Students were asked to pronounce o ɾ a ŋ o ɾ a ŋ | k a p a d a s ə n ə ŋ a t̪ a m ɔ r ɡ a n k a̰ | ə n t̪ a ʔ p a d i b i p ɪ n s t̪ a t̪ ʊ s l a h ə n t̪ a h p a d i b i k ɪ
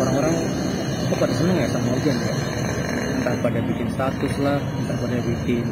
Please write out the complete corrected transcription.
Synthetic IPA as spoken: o ɾ a ŋ o ɾ a ŋ | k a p a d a s ə n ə ŋ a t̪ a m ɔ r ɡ a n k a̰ | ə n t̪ a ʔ p a d a b i k ɪ n s t̪ a t̪ ʊ s l a h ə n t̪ a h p a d a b i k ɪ